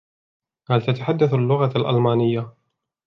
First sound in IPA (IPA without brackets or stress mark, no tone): h